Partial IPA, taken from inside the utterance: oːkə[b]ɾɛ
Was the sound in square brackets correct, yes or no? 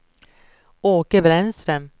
yes